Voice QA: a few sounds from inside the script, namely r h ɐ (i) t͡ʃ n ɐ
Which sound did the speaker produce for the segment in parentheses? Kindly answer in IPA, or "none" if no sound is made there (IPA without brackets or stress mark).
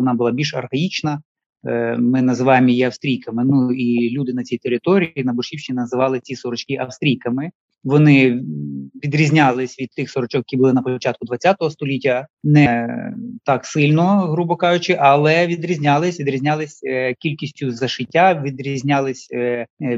i